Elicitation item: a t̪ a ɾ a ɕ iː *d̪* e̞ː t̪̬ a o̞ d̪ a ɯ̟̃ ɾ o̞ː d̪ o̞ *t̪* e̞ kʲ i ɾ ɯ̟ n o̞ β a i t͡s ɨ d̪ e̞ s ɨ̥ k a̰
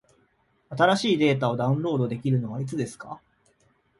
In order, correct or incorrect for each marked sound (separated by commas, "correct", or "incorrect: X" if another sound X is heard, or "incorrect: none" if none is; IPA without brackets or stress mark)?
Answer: correct, incorrect: d̪